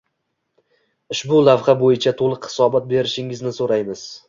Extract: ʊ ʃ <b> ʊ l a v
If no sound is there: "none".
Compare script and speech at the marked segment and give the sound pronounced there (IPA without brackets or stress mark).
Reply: b